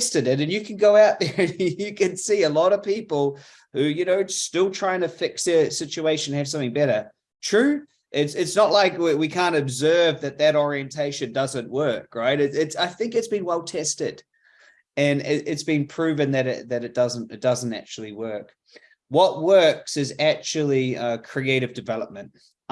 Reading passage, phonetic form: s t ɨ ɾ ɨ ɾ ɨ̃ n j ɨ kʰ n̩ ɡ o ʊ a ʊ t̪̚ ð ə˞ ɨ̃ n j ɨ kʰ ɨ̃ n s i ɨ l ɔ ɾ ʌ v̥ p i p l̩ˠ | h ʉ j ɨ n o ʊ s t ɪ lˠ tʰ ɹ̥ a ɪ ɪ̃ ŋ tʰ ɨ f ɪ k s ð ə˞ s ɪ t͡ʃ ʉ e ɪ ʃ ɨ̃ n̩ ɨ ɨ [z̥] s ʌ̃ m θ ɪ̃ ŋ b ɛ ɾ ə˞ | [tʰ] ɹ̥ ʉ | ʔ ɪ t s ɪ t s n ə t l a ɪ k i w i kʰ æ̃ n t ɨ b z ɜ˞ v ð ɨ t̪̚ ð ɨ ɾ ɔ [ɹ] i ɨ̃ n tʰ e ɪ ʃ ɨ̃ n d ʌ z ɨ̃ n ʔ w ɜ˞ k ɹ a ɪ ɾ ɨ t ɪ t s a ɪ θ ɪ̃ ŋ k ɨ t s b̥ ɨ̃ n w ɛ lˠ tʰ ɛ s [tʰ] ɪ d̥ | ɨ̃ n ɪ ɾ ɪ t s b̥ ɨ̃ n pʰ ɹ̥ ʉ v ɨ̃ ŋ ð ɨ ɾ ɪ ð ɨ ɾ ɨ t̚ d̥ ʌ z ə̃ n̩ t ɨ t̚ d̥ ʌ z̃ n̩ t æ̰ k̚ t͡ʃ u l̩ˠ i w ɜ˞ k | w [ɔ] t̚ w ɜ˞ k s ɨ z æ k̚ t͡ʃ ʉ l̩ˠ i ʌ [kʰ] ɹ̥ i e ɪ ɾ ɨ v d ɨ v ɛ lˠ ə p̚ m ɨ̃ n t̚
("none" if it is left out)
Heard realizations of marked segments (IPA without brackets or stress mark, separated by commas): v̥, tʰ, ɹ, t, ʌ, kʰ